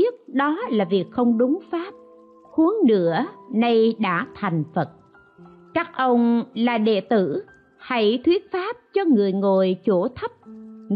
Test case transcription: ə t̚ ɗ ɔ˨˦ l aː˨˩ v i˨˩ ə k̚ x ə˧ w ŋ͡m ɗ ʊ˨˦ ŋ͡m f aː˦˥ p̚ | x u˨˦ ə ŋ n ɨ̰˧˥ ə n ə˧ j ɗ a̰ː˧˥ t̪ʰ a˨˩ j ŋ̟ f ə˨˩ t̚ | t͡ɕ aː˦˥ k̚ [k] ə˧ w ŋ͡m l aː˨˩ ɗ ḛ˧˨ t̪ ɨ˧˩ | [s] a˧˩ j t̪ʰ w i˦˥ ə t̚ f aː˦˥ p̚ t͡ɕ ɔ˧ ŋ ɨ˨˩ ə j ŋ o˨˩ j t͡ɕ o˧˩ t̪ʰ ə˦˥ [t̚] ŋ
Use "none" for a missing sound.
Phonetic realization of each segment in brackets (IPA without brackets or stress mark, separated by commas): ʔ, h, p̚